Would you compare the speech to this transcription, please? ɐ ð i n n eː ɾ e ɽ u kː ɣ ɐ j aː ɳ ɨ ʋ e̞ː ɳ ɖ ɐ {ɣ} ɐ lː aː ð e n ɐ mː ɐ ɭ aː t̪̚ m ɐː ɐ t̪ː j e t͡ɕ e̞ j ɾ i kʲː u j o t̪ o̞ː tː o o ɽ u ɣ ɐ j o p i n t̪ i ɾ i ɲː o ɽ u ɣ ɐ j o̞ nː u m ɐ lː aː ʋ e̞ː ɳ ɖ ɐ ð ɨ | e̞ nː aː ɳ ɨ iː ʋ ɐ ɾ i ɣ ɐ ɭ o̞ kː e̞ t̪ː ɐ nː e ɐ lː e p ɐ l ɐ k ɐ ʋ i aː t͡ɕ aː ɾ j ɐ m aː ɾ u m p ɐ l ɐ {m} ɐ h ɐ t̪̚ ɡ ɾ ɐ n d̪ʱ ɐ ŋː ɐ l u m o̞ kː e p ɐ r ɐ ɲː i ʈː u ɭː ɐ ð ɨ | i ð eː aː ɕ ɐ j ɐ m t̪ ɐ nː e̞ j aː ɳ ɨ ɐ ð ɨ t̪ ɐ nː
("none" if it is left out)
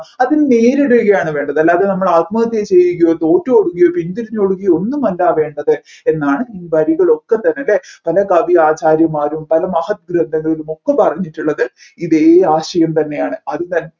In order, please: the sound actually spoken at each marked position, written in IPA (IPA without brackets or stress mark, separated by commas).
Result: ð, m